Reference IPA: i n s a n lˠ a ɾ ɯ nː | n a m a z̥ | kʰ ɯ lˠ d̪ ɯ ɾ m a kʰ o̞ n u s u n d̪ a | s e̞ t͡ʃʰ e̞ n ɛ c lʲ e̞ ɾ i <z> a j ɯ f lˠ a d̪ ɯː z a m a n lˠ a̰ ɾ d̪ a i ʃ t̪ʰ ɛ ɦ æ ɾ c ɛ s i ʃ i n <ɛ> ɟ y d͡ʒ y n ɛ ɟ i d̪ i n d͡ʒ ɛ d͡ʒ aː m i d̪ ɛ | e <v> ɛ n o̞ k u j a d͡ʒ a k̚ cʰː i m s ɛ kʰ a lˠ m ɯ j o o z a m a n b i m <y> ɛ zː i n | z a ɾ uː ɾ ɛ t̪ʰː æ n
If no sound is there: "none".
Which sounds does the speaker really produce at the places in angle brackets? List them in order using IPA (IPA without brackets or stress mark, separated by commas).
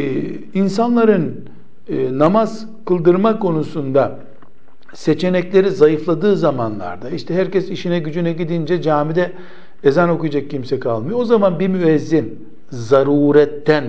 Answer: z, ɛ, z, y